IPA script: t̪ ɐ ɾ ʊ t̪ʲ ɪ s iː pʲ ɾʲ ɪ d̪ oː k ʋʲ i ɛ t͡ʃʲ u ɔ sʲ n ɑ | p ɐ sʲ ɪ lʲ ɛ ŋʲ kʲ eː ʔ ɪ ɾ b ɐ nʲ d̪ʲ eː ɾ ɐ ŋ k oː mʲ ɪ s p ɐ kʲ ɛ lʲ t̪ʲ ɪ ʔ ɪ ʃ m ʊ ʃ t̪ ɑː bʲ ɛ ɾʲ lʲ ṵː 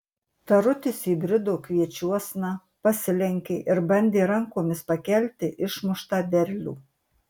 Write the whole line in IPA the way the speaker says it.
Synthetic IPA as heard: t̪ ɐ ɾ ʊ t̪ʲ ɪ s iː bʲ ɾʲ ɪ d̪ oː k ʋʲ i ɛ t͡ʃʲ u ɔ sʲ n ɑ | p ɐ sʲ ɪ lʲ ɛ ŋʲ kʲ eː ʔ ɪ ɾ b ɐ nʲ d̪ʲ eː ɾ ɐ ŋ k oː mʲ ɪ s p ɐ kʲ ɛ lʲ t̪ʲ ɪ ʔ ɪ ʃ m ʊ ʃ t̪ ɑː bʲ ɛ ɾʲ lʲ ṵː